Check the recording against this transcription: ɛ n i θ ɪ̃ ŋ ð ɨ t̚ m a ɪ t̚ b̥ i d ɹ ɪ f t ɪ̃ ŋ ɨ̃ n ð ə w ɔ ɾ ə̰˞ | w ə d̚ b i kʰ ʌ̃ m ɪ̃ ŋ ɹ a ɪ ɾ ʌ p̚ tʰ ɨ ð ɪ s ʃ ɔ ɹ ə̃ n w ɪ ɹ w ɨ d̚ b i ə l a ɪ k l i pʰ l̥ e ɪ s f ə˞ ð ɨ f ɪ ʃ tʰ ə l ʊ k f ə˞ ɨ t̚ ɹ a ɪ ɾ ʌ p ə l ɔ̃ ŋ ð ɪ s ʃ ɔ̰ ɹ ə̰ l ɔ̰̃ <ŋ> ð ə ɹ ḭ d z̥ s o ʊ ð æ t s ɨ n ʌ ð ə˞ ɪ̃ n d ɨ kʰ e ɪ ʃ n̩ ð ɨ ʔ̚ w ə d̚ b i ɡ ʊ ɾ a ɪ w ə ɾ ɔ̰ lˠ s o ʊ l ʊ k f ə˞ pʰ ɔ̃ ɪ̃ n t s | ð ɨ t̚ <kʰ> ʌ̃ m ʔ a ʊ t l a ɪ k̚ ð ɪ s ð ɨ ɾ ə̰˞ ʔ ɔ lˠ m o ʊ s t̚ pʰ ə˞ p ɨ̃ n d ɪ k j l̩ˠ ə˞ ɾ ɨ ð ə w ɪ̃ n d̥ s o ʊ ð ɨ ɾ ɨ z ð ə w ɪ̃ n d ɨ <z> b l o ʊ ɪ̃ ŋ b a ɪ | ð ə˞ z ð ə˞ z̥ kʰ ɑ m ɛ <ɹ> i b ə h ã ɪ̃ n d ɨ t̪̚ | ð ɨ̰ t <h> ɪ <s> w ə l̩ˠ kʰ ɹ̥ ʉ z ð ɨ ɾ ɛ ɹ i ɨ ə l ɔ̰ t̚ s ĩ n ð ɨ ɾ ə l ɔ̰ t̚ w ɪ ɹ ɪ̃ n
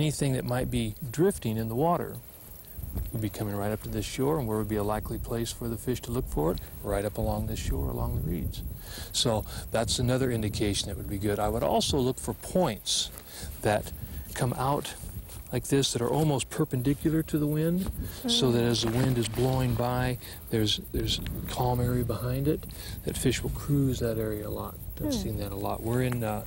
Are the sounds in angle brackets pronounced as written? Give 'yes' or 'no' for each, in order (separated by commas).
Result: yes, yes, yes, yes, no, no